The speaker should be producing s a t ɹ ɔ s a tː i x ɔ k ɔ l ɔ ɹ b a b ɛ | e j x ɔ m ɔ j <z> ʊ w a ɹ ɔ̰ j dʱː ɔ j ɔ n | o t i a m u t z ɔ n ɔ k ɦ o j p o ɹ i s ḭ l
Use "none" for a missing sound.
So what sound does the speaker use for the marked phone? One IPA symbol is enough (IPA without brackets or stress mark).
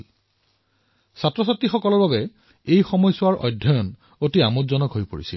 s